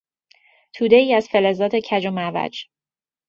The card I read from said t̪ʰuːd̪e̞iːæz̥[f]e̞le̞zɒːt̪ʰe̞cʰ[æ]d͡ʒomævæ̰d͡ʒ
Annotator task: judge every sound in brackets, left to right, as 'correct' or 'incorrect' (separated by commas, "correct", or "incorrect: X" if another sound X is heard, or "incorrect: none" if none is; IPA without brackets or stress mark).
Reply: correct, correct